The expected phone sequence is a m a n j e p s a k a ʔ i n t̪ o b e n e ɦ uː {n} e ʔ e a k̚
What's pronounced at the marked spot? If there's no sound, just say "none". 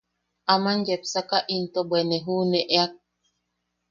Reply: n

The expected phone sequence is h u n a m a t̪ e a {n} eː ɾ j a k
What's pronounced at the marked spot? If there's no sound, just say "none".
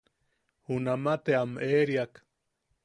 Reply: m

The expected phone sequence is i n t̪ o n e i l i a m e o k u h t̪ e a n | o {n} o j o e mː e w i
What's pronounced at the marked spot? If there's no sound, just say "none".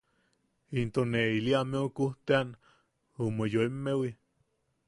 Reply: m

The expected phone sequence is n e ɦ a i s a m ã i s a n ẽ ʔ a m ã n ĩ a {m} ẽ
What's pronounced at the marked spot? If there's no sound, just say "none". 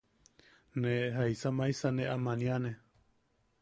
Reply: n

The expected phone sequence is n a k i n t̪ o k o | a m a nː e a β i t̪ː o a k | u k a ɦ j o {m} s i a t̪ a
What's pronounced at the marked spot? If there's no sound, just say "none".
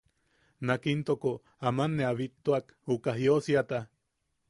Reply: none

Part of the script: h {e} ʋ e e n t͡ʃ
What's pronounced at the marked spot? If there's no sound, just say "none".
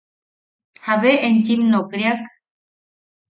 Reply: a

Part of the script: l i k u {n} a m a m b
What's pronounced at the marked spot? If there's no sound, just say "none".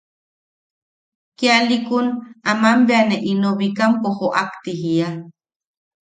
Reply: n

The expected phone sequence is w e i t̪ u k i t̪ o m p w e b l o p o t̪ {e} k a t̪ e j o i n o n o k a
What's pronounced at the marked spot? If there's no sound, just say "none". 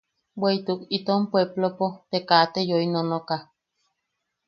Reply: e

